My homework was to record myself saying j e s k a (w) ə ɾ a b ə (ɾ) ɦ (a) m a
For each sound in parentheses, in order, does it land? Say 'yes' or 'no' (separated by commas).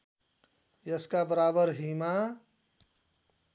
no, yes, no